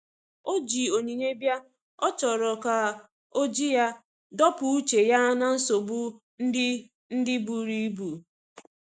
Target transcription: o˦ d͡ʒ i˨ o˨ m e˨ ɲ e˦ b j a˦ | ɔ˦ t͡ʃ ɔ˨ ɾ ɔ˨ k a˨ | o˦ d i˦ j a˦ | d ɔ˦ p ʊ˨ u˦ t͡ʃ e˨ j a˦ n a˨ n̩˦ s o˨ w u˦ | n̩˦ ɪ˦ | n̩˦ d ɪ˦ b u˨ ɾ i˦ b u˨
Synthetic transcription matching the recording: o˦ d͡ʒ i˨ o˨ ɲ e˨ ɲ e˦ b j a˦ | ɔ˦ t͡ʃ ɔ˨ ɾ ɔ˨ k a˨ | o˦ d͡ʒ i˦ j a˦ | d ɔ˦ p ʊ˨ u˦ t͡ʃ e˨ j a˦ n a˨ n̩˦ s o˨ b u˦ | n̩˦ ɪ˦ | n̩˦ d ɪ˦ b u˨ ɾ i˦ b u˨